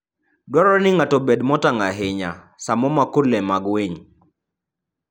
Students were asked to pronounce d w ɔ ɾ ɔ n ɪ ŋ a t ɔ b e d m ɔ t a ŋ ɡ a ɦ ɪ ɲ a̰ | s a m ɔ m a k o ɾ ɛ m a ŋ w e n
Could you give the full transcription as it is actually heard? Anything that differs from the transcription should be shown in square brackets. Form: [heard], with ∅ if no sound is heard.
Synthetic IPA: d w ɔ ɾ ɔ n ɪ ŋ a t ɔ b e d m ɔ t a ŋ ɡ a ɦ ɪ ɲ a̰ | s a m ɔ m a k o [l] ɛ m a [ɡ] w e [ɲ]